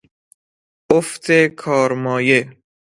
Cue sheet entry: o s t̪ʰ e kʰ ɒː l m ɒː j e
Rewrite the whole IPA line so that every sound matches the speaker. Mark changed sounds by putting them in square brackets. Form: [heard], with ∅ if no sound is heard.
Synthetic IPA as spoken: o [f] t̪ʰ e kʰ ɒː [ɾ] m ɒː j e